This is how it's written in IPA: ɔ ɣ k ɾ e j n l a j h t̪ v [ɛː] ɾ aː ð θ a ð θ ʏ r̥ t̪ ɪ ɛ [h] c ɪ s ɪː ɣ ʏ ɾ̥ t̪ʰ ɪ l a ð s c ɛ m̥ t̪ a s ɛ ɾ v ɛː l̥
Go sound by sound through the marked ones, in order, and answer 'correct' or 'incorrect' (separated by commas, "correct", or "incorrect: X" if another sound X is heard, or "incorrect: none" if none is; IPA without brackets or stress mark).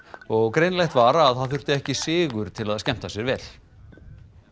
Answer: incorrect: aː, correct